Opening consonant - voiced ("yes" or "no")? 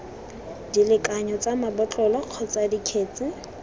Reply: yes